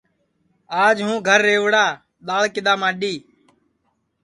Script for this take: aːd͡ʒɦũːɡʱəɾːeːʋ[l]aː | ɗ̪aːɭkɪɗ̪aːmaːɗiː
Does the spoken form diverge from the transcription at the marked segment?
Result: yes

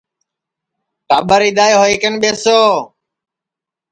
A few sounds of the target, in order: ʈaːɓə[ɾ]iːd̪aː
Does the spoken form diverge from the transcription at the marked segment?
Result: no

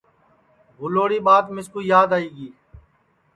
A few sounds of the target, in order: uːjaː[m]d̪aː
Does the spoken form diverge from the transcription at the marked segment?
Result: yes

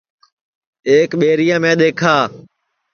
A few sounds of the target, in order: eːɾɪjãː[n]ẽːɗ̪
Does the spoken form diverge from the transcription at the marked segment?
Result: yes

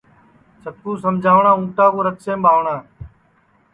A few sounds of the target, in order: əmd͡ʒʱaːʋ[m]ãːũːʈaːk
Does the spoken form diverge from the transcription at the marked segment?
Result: yes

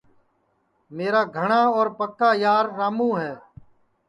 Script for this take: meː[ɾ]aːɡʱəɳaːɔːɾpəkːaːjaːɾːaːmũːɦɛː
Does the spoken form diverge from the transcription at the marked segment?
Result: no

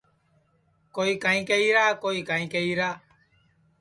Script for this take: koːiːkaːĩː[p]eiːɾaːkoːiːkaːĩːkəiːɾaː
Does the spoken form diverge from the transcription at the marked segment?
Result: yes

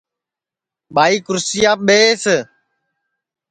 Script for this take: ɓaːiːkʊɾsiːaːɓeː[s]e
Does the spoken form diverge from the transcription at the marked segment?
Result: no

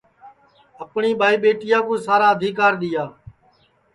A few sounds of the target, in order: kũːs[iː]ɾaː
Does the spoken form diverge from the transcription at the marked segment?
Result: yes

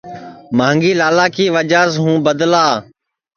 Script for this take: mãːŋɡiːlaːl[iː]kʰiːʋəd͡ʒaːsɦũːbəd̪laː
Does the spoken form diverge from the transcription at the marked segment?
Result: yes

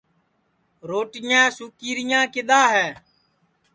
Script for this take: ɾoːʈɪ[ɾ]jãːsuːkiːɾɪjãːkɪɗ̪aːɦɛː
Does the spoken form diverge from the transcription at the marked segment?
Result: yes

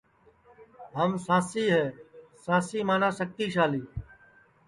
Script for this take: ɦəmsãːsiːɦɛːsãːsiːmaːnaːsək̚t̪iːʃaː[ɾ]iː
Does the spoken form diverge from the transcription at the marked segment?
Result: yes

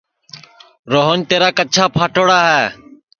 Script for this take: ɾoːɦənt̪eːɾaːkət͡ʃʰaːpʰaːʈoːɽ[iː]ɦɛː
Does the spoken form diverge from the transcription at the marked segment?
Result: yes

